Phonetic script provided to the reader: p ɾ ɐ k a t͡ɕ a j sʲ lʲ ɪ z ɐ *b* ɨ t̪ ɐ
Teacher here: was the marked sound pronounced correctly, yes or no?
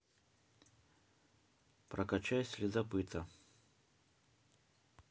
no